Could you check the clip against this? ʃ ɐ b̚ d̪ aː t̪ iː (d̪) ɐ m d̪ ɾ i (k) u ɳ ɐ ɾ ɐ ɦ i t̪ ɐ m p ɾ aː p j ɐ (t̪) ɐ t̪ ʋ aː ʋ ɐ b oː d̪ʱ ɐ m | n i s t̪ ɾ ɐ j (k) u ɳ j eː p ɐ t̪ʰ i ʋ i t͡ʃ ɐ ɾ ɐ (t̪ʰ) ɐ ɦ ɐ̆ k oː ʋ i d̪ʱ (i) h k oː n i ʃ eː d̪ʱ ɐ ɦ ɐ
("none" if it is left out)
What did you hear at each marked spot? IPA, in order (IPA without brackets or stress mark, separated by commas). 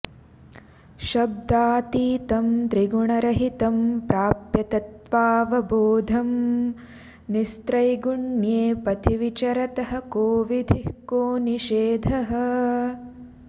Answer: t̪, ɡ, t̪, ɡ, t̪, i